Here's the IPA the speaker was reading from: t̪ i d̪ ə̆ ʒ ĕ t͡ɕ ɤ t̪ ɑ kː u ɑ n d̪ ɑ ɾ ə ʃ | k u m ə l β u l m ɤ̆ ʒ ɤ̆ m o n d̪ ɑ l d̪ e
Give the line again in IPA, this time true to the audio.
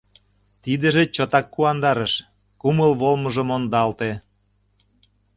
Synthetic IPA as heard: t̪ i d̪ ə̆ ʒ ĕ t͡ɕ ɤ t̪ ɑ kː u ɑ n d̪ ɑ ɾ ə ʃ | k u m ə l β o l m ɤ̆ ʒ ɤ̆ m o n d̪ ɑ l t̪ e

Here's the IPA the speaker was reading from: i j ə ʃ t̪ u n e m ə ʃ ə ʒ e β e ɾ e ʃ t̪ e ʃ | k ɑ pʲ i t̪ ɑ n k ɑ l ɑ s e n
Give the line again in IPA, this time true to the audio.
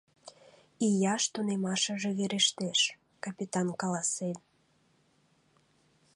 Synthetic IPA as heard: i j ɑ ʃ t̪ u n e m ɑ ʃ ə ʒ e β e ɾ e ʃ t̪ e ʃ | k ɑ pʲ i t̪ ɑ n k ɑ l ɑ s e n

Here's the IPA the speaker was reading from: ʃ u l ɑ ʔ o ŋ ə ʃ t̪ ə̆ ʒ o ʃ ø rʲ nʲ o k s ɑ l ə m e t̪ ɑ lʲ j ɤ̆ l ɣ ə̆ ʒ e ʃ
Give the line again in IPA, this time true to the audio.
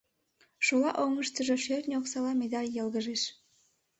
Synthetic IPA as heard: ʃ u l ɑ ʔ o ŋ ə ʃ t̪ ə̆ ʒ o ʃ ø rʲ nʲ o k s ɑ l ɑ m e d̪ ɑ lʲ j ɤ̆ l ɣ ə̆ ʒ e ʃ

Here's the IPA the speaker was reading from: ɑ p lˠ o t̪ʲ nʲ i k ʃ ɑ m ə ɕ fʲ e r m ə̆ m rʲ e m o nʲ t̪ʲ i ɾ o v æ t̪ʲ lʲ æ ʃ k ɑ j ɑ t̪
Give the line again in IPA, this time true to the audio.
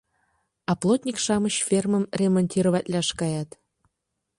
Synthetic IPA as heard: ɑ p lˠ o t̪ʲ nʲ i k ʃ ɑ m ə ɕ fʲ e r m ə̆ m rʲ e m o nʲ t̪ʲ i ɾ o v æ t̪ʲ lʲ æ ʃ k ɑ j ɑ t̪

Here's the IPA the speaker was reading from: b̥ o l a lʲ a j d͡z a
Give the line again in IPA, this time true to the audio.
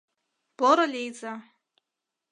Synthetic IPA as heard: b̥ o ɾ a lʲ e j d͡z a

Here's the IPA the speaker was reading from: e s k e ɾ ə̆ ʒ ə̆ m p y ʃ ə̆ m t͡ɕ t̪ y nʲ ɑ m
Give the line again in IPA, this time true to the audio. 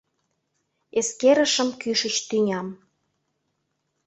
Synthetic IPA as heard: e s k e ɾ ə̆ ʃ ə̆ m k y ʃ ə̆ t͡ɕ t̪ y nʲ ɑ m

